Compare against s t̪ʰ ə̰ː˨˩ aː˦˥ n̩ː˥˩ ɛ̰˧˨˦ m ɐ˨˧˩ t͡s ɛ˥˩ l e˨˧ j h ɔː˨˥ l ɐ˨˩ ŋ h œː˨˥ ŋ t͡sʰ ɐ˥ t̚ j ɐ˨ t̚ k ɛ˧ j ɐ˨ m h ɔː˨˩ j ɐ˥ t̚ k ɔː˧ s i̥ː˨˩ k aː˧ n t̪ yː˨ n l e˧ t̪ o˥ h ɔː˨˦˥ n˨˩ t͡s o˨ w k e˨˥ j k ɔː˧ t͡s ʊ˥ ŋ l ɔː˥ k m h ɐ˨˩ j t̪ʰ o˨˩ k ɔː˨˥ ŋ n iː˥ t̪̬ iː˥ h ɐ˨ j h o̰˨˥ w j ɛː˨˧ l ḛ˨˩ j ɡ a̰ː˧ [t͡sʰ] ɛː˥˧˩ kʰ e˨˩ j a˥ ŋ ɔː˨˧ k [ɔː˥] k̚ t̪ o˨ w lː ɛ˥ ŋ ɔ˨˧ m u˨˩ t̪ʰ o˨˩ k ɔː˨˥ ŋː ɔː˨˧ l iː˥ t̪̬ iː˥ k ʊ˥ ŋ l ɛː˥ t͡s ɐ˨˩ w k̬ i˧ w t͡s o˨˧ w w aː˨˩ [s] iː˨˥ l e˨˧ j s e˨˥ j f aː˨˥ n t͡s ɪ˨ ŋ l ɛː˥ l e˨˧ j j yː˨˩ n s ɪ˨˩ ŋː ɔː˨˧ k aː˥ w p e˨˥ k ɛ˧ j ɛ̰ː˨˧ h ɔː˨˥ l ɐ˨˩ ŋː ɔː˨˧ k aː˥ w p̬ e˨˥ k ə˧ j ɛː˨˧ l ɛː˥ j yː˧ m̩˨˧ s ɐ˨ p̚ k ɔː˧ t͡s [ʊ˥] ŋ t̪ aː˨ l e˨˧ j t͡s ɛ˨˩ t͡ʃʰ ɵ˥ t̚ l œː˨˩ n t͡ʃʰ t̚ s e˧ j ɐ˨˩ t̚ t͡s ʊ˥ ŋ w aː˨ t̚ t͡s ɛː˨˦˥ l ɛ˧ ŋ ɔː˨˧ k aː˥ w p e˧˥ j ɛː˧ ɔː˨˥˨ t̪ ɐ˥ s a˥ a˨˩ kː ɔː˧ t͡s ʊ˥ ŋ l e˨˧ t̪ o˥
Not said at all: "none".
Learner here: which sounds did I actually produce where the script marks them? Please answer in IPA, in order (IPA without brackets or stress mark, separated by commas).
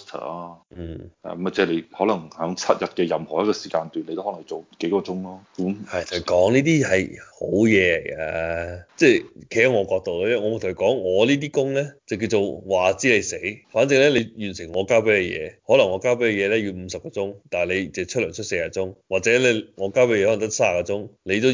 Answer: t͡s, ɔː˧, t͡s, ʊ˥